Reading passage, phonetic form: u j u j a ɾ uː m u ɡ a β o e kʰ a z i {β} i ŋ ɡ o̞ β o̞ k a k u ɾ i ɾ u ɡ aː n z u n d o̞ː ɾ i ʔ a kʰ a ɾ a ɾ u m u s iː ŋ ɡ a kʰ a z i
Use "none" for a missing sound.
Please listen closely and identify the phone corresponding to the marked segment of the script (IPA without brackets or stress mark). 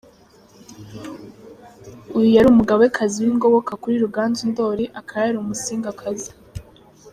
w